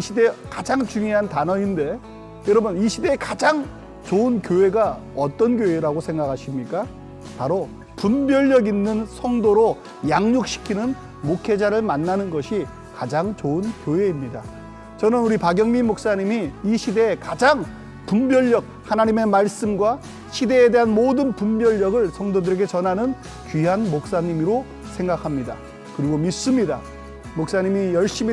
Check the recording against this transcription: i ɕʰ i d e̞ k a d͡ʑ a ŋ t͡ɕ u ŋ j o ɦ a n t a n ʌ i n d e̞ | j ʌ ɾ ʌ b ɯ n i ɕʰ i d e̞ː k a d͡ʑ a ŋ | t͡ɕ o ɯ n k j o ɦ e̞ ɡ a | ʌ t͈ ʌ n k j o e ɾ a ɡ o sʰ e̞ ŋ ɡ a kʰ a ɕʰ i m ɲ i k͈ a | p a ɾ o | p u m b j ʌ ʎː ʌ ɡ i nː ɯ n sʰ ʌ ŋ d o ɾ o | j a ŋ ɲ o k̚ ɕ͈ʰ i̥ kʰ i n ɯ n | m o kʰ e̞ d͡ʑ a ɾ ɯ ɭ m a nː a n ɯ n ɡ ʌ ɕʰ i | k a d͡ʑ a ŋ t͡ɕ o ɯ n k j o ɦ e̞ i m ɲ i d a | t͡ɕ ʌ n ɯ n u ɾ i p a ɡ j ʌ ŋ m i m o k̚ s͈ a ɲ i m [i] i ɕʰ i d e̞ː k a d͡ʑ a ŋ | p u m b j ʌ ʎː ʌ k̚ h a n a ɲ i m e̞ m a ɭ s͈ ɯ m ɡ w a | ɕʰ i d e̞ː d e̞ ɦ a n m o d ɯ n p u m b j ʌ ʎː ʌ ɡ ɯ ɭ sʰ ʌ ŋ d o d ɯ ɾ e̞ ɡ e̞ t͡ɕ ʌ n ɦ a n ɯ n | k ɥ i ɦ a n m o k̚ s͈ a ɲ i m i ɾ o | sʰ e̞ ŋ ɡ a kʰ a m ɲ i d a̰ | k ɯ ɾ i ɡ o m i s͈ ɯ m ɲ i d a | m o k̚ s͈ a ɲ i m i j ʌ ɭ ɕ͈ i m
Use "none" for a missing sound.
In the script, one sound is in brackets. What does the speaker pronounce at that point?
i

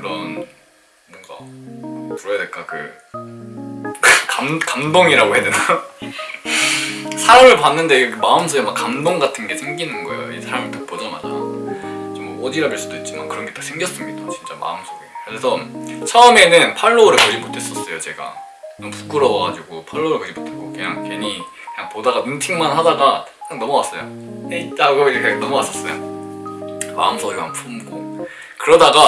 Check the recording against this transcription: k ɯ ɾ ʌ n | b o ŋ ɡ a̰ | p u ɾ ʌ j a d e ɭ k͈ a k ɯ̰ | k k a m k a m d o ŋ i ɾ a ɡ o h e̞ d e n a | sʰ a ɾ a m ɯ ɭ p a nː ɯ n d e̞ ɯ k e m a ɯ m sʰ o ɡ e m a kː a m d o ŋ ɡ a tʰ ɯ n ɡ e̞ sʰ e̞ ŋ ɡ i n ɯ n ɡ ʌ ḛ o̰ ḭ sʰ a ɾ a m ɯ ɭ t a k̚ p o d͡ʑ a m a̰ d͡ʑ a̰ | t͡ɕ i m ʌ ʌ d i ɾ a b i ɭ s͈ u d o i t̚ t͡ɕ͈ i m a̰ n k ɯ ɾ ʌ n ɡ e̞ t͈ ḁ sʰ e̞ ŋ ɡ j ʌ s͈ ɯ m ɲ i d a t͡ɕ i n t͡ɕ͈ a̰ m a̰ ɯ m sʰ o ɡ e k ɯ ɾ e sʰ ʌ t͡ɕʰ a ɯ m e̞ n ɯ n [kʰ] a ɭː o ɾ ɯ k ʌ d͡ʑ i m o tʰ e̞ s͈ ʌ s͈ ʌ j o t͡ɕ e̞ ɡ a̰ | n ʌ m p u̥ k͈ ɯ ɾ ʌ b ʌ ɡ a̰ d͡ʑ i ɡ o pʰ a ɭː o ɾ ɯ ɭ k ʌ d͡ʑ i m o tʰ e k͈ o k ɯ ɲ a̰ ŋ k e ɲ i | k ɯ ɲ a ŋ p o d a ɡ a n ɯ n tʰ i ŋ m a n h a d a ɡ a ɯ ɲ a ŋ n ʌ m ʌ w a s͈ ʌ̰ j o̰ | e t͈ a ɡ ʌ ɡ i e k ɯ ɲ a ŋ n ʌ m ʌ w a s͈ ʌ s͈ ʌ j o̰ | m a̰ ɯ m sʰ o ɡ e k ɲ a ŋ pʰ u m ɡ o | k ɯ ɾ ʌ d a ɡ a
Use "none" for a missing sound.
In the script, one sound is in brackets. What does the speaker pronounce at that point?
pʰ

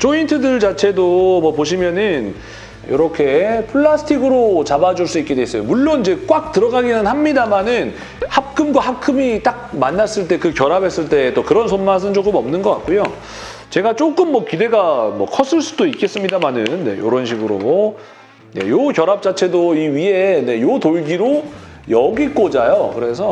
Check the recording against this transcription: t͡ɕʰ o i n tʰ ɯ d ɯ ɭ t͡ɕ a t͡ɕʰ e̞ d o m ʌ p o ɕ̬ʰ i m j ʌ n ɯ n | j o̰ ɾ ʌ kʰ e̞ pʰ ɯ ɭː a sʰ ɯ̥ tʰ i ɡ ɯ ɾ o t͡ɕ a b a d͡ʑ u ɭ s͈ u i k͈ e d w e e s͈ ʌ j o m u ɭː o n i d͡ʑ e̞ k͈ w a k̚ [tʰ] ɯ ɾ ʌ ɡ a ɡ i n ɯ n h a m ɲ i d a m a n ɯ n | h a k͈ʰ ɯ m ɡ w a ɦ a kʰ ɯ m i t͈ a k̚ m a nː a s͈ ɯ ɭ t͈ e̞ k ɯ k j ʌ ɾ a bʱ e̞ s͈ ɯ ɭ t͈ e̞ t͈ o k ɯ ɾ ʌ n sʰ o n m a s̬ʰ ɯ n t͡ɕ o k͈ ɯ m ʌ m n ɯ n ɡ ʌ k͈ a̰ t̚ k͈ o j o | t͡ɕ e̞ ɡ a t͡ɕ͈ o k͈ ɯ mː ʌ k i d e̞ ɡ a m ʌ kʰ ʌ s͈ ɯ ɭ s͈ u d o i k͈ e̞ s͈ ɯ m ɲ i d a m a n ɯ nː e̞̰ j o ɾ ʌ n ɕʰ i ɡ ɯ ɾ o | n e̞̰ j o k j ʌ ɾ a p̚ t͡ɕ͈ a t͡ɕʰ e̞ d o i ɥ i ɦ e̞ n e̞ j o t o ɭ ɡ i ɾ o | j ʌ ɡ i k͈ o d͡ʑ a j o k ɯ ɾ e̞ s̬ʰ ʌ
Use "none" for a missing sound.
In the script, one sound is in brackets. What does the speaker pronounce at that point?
t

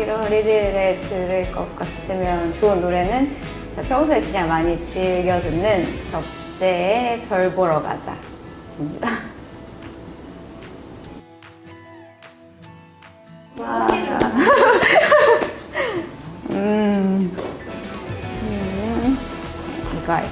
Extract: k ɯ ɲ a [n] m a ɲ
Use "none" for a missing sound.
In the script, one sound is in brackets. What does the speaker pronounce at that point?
ŋ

